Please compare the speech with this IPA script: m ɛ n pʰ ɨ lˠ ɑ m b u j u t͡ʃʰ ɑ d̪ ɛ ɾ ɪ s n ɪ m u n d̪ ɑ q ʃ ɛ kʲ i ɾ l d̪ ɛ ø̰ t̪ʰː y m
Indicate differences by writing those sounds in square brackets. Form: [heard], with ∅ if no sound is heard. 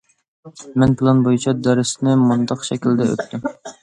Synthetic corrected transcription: m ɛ n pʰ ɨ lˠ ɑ [n] b [o] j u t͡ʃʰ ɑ d̪ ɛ ɾ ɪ s n ɪ m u n d̪ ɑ q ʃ ɛ kʲ i [∅] l d̪ ɛ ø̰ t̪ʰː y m

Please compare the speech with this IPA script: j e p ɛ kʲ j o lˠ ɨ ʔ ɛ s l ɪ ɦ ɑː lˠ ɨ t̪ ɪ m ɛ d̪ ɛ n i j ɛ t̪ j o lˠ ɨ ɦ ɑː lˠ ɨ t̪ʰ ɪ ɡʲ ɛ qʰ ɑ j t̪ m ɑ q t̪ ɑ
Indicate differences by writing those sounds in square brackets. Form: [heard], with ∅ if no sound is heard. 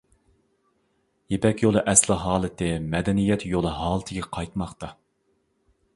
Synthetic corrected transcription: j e p ɛ kʲ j o lˠ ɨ ʔ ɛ s l ɪ ɦ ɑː lˠ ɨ t̪ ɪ m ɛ d̪ ɛ n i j ɛ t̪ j o lˠ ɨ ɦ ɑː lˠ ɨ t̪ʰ ɪ ɡʲ ɛ qʰ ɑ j t̪ m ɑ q t̪ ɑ

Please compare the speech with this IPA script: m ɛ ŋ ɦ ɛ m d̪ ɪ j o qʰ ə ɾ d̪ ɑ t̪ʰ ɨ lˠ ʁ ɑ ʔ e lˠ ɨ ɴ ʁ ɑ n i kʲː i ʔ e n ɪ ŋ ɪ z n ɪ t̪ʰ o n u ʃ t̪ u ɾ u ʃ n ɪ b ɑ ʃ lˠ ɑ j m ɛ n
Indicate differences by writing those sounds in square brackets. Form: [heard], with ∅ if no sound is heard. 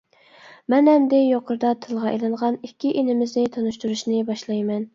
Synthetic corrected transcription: m ɛ [n] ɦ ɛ m d̪ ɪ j o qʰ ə ɾ d̪ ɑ t̪ʰ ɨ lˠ ʁ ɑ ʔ e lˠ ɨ ɴ ʁ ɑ n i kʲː i ʔ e n ɪ [m] ɪ z n ɪ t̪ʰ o n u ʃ t̪ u ɾ u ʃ n ɪ b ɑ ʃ lˠ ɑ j m ɛ n

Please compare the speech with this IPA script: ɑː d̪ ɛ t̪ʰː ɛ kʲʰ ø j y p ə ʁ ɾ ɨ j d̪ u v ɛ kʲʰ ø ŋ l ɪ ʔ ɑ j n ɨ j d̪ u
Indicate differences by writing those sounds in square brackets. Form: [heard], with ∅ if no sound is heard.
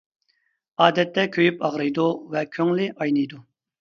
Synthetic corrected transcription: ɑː d̪ ɛ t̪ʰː ɛ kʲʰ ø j y p [ɑ] ʁ ɾ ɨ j d̪ u v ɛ kʲʰ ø ŋ l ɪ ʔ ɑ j n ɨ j d̪ u

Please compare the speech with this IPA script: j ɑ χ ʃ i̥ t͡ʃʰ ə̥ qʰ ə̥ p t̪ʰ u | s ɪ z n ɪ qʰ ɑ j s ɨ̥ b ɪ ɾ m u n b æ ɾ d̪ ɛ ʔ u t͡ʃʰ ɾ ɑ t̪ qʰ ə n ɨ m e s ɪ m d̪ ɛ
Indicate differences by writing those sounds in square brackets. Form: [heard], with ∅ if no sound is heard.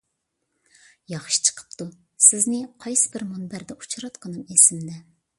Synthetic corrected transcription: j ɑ χ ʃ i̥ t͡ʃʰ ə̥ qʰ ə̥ p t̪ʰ u | s ɪ z n ɪ qʰ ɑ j s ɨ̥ b ɪ ɾ m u n b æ ɾ d̪ ɛ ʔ u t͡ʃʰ ɾ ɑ t̪ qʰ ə n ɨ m e s ɪ m d̪ ɛ

